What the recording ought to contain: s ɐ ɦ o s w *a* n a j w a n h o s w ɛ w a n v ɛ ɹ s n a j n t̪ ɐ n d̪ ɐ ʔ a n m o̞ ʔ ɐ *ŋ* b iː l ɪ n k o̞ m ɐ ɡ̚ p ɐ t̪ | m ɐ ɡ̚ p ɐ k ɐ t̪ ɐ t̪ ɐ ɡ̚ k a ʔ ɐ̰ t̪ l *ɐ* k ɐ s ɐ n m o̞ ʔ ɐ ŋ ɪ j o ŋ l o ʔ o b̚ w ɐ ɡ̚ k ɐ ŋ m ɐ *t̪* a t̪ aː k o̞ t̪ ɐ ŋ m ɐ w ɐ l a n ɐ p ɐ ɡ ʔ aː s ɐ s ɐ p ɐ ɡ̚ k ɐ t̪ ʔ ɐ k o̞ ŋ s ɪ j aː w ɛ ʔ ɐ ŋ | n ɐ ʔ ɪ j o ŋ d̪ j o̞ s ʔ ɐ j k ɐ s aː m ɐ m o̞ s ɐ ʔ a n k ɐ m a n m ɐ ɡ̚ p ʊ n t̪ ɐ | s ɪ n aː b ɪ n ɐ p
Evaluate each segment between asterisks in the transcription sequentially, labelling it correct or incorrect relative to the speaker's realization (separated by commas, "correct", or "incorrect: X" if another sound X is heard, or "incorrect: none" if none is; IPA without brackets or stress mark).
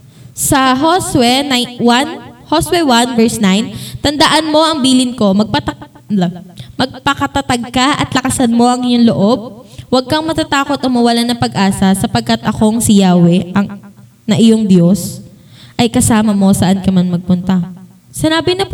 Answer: incorrect: ɛ, correct, correct, correct